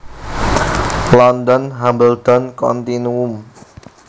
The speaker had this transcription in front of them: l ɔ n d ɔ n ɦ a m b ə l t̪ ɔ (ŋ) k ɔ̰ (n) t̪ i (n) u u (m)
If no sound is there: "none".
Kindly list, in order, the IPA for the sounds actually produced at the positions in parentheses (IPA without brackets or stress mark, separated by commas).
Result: n, n, n, m